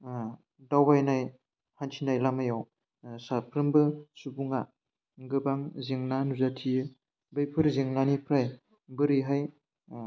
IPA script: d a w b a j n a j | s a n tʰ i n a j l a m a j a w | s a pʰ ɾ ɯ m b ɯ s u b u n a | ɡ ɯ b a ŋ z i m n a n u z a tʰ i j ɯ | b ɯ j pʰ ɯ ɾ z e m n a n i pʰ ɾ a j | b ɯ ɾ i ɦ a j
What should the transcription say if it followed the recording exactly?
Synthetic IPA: d a w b a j n a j | h a n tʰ i n a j l a m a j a w | s a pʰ ɾ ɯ m b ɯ s u b u ŋ a | ɡ ɯ b a ŋ z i ŋ n a n u z a tʰ i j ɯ | b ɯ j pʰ ɯ ɾ z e ŋ n a n i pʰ ɾ a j | b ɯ ɾ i ɦ a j